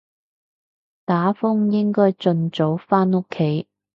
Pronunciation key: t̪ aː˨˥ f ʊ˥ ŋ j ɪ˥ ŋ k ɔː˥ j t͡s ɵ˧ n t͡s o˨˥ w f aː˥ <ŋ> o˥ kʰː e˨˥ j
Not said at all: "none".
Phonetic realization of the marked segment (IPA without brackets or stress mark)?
n